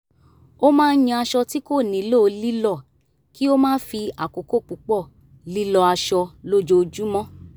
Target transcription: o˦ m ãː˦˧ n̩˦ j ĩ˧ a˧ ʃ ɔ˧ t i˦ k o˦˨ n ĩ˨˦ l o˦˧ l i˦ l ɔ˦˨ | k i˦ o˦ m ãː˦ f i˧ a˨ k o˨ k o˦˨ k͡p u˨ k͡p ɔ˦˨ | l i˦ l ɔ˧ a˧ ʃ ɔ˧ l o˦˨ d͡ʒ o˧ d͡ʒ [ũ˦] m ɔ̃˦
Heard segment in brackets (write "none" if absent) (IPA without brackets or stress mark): u˦